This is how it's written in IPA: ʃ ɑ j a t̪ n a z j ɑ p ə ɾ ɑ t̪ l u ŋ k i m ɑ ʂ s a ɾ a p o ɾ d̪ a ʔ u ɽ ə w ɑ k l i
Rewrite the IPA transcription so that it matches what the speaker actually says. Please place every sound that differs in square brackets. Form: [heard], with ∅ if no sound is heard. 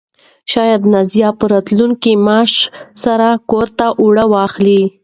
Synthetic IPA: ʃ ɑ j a [d̪] n a z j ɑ p ə ɾ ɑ t̪ l u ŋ k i m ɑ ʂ s a ɾ a [k] o ɾ [t̪] a ʔ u ɽ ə w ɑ [x] l i